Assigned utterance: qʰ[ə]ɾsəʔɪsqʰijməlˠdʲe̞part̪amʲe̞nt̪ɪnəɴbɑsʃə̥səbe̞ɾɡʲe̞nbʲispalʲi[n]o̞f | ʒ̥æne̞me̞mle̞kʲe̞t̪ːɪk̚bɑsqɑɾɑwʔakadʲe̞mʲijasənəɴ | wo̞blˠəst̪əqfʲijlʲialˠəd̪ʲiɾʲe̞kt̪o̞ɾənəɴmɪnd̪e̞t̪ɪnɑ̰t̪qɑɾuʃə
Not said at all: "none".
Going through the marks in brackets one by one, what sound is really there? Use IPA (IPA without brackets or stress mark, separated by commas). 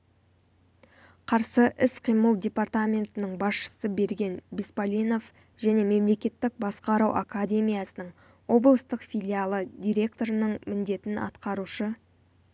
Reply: ɑ, n